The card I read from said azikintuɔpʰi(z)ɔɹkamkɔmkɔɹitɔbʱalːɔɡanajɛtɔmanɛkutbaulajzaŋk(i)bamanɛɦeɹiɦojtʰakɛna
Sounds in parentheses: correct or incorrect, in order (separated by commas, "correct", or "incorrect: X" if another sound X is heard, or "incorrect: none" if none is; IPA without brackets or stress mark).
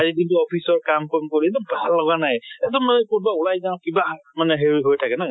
incorrect: s, correct